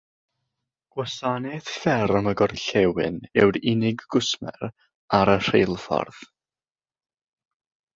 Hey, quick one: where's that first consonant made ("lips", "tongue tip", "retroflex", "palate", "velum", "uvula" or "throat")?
velum